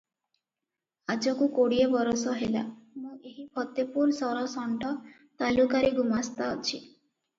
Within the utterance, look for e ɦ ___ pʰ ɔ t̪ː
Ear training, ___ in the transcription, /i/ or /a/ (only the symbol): i